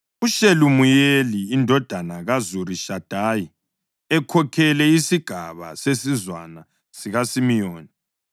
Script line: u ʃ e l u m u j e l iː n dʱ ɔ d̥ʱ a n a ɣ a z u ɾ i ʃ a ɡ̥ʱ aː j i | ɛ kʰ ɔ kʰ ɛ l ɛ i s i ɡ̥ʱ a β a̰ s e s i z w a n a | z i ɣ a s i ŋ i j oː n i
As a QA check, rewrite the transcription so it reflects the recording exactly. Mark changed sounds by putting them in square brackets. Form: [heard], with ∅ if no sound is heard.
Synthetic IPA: u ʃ e l u m u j e l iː n dʱ ɔ d̥ʱ a n a ɣ a z u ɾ i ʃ a [d̥ʱ] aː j i | ɛ kʰ ɔ kʰ ɛ l ɛ i s i ɡ̥ʱ a β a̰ s e s i z w a n a | [s] i ɣ a s i [m] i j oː n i